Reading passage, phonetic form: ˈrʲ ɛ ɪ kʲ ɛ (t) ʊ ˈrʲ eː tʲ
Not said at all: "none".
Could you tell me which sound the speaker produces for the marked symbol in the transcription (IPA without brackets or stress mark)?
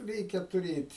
t